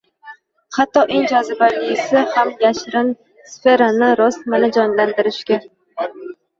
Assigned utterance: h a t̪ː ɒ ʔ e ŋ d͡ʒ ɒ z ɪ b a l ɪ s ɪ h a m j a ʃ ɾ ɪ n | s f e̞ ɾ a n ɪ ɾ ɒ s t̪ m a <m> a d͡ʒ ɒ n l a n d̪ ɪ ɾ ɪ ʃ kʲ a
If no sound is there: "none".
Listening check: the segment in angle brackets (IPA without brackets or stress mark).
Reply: n